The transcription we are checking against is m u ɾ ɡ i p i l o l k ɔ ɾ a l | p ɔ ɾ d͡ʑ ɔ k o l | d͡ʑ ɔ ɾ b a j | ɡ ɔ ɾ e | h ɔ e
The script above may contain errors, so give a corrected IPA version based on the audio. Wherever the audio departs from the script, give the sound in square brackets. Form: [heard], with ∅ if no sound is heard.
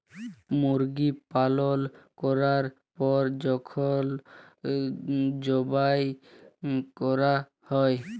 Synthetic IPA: m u ɾ ɡ i p [a] l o l k ɔ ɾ a [ɾ] | p ɔ ɾ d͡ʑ ɔ [kʰ] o l | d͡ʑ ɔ [∅] b a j | [k] ɔ ɾ [a] | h ɔ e